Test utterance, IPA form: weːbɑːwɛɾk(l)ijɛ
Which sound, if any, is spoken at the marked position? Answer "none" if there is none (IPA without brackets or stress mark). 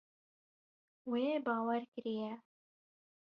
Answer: ɾ